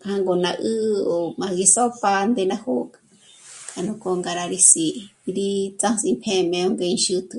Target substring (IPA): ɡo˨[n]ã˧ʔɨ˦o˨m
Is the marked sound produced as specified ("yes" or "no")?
yes